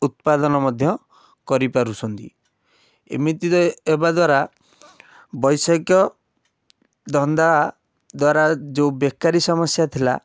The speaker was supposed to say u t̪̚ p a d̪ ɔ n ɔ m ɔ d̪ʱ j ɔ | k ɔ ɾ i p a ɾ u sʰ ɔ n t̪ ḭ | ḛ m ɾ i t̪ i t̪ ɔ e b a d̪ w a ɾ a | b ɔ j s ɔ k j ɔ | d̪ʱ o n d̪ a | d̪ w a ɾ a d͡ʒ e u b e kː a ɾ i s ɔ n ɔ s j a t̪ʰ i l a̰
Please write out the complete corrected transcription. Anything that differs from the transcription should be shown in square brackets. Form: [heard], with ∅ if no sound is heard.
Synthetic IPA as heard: u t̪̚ p a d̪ ɔ n ɔ m ɔ d̪ʱ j ɔ | k ɔ ɾ i p a ɾ u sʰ ɔ n t̪ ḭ | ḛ m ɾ i t̪ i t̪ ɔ e b a d̪ w a ɾ a | b ɔ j s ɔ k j ɔ | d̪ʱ [ɔ] n d̪ a | d̪ w a ɾ a d͡ʒ e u b e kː a ɾ i s ɔ [m] ɔ s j a t̪ʰ i l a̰

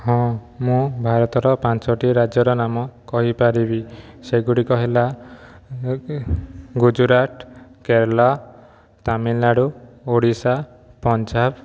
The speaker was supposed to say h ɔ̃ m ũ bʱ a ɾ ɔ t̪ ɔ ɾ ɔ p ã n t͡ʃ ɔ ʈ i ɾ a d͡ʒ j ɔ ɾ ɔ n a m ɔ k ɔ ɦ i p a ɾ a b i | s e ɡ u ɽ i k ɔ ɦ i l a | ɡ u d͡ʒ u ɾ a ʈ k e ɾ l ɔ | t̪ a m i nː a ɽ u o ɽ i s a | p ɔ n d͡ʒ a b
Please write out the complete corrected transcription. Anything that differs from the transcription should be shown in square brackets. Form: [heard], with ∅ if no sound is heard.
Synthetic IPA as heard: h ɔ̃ m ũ bʱ a ɾ ɔ t̪ ɔ ɾ ɔ p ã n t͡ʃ ɔ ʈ i ɾ a d͡ʒ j ɔ ɾ ɔ n a m ɔ k ɔ ɦ i p a ɾ [i] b i | s e ɡ u ɽ i k ɔ ɦ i l a | ɡ u d͡ʒ u ɾ a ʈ k e ɾ l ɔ | t̪ a m i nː a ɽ u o ɽ i s a | p ɔ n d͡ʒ a b

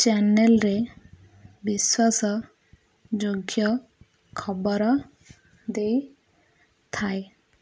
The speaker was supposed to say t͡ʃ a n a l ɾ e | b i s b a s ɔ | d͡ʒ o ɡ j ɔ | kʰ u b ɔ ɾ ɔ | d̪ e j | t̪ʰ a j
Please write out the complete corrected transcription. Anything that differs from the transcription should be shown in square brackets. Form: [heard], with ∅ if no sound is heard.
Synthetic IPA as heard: t͡ʃ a n [e] l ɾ e | b i s [w] a s ɔ | d͡ʒ o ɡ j ɔ | kʰ [ɔ] b ɔ ɾ ɔ | d̪ e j | t̪ʰ a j

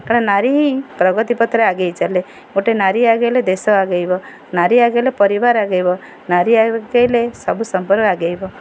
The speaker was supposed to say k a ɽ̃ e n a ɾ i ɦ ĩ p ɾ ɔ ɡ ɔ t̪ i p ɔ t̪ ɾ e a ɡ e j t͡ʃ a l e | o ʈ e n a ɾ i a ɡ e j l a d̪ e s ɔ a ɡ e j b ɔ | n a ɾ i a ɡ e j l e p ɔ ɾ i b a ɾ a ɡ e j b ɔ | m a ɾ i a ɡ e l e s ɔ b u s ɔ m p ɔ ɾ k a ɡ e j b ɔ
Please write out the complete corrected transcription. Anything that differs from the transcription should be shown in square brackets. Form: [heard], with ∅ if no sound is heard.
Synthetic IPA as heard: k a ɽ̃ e n a ɾ i ɦ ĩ p ɾ ɔ ɡ ɔ t̪ i p ɔ t̪ ɾ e a ɡ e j t͡ʃ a l e | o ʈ e n a ɾ i a ɡ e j l [e] d̪ e s ɔ a ɡ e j b ɔ | n a ɾ i a ɡ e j l e p ɔ ɾ i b a ɾ a ɡ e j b ɔ | [n] a ɾ i a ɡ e l e s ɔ b u s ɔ m p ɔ ɾ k a ɡ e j b ɔ

